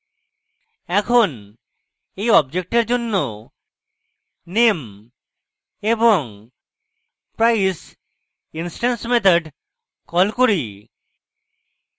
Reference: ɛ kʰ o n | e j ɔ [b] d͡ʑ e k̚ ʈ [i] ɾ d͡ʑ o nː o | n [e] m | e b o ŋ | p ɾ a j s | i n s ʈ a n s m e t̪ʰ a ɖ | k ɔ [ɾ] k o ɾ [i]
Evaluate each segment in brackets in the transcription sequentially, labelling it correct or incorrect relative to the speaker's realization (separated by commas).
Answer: correct, incorrect, correct, incorrect, correct